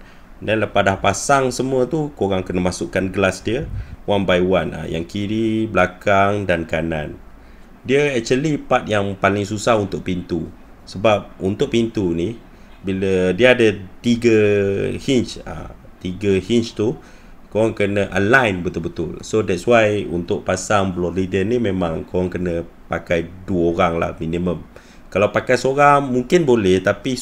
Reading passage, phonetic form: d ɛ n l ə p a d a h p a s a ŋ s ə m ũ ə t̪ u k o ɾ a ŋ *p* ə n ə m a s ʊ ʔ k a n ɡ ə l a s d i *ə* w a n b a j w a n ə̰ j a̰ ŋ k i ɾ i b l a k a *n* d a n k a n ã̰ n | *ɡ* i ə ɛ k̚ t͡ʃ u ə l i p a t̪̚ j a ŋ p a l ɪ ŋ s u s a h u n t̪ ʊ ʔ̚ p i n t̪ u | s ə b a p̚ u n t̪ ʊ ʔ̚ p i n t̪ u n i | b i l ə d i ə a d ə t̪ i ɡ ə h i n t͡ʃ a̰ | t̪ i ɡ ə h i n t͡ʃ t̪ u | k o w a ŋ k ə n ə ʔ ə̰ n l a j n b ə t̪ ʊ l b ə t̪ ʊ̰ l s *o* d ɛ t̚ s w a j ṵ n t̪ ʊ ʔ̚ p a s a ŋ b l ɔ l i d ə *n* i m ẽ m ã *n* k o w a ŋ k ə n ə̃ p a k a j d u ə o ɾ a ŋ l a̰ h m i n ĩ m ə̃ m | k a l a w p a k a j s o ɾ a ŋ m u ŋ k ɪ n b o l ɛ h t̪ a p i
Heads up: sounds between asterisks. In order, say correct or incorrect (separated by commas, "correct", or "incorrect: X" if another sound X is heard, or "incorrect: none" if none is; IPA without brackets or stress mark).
incorrect: k, correct, incorrect: ŋ, incorrect: d, correct, correct, incorrect: ŋ